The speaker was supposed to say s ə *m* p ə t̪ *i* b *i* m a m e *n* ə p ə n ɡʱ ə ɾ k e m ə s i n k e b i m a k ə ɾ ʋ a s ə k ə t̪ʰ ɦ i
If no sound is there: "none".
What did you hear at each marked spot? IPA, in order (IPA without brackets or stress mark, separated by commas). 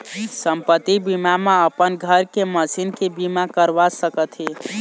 m, i, i, none